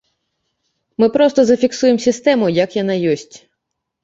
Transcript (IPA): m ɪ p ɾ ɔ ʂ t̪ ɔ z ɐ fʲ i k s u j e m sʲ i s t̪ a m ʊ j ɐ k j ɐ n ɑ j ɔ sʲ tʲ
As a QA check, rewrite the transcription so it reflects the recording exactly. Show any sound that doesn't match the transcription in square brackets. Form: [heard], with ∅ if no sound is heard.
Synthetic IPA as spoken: m ɪ p ɾ ɔ [s] t̪ ɔ z ɐ fʲ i k s u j e m sʲ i s t̪ [ɛ] m ʊ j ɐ k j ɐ n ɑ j ɔ sʲ tʲ